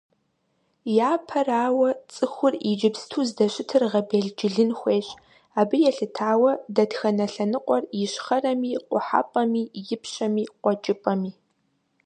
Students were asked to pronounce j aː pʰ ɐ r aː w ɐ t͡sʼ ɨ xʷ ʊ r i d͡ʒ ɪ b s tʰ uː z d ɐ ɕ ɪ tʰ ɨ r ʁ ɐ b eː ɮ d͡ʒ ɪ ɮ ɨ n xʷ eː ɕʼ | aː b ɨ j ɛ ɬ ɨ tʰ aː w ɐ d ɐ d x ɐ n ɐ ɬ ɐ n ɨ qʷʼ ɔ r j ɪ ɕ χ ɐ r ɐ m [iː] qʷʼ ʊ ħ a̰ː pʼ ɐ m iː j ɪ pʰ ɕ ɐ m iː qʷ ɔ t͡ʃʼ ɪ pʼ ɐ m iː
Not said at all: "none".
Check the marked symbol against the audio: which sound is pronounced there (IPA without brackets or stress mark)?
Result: iː